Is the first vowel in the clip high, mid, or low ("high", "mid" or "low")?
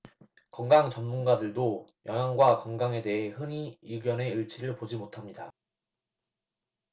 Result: mid